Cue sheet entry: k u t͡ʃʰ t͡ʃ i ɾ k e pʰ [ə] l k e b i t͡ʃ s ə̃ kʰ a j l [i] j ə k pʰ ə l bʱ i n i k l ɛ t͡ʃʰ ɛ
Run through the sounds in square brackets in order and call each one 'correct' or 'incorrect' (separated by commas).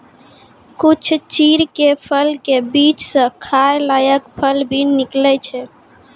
correct, incorrect